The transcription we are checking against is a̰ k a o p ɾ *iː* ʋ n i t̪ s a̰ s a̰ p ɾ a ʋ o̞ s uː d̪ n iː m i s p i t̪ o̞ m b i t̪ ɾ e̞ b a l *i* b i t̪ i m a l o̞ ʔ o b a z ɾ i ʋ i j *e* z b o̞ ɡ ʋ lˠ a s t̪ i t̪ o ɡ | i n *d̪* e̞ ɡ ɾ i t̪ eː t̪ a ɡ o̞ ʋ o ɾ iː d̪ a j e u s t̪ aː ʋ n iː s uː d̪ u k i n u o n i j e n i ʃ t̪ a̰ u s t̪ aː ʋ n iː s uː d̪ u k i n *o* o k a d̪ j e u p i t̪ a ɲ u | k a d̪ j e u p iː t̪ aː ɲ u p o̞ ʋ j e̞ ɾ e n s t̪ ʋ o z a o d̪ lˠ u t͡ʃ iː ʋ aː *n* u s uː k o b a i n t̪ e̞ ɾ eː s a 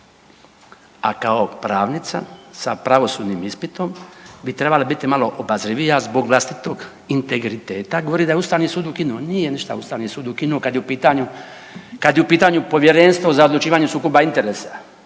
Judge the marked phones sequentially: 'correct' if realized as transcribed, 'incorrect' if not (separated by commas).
incorrect, incorrect, incorrect, incorrect, incorrect, incorrect